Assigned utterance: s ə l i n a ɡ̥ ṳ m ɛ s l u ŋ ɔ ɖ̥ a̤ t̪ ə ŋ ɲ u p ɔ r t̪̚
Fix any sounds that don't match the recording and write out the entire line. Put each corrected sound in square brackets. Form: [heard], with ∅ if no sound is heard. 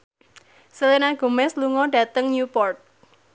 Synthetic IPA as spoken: s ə l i n a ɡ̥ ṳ m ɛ s l u ŋ ɔ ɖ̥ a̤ t̪ ə ŋ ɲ u p ɔ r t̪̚